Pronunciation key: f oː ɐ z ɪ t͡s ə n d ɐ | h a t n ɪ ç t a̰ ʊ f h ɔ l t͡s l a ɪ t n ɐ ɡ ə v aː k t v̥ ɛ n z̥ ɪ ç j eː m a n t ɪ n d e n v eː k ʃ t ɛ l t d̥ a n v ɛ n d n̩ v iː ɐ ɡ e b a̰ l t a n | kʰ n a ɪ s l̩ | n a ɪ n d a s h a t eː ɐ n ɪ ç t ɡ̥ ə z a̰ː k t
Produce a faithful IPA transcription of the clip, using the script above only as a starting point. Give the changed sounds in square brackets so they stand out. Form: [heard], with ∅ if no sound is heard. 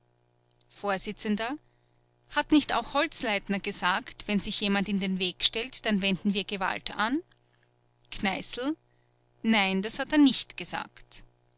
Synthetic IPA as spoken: f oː ɐ z ɪ t͡s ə n d ɐ | h a t n ɪ ç t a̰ ʊ [x] h ɔ l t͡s l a ɪ t n ɐ ɡ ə [z] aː k t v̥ ɛ n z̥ ɪ ç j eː m a n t ɪ n d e n v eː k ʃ t ɛ l t d̥ a n v ɛ n d n̩ v iː ɐ ɡ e [v] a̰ l t a n | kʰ n a ɪ s l̩ | n a ɪ n d a s h a t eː ɐ n ɪ ç t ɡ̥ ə z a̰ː k t